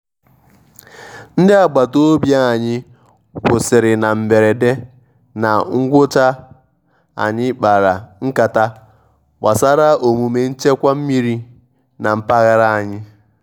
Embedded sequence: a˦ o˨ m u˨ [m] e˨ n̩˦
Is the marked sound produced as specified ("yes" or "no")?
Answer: yes